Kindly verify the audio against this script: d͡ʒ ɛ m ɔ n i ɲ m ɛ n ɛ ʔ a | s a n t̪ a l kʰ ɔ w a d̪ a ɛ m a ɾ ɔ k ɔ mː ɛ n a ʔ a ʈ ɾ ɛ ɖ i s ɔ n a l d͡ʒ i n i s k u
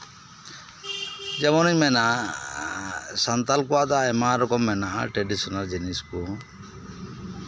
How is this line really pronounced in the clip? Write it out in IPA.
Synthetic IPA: d͡ʒ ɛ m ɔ n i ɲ m ɛ n a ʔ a | s a n t̪ a l k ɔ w a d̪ a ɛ m a ɾ ɔ k ɔ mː ɛ n a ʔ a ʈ ɾ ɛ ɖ i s ɔ n a l d͡ʒ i n i s k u